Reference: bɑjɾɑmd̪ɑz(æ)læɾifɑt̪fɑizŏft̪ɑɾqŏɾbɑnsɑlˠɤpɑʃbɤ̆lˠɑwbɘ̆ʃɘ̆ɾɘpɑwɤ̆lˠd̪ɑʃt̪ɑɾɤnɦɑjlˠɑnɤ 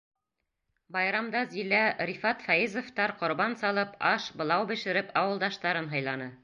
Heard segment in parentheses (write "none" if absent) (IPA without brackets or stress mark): i